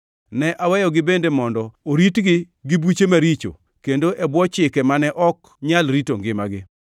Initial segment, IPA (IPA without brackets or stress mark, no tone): n